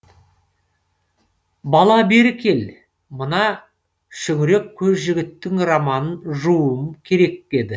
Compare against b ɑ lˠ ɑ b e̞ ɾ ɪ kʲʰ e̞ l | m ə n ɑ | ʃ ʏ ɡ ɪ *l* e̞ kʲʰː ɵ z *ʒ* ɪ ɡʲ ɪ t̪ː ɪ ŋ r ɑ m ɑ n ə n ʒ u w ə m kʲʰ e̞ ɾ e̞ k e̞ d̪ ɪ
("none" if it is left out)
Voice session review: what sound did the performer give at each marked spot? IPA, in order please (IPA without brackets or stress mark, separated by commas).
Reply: ɾ, ʒ